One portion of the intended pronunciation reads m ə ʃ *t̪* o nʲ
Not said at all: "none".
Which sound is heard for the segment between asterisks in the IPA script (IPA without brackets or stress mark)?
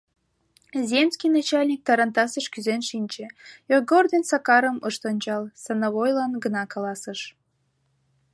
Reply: t̪